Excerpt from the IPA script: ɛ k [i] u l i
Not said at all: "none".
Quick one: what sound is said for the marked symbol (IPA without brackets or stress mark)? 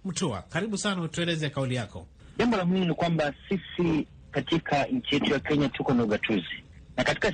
a